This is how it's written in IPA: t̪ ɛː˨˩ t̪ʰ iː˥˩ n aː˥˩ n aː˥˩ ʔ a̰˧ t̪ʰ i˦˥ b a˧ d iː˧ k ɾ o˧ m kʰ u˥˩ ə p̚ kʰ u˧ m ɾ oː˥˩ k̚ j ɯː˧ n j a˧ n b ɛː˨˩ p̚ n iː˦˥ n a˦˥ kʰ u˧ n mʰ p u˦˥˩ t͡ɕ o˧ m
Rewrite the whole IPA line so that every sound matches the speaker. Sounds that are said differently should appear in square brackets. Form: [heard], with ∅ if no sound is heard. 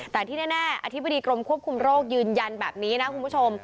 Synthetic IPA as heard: t̪ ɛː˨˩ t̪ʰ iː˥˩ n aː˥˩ n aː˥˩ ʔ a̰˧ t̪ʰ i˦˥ b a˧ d iː˧ k ɾ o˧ m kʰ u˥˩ ə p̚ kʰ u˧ m ɾ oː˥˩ k̚ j ɯː˧ n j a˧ n b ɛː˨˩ p̚ n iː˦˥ n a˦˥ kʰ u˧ n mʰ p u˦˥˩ [t͡ɕʰ] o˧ m